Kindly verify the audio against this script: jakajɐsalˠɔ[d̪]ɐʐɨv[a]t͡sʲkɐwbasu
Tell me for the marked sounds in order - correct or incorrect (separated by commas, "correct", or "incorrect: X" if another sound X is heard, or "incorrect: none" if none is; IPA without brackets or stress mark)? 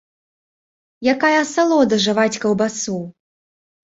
correct, correct